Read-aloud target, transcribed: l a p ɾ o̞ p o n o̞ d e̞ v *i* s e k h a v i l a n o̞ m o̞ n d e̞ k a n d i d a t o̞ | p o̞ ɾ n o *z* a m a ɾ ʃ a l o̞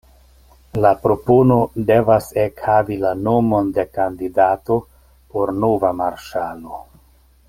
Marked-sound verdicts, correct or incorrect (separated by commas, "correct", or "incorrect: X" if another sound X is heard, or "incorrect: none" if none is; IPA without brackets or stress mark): incorrect: a, incorrect: v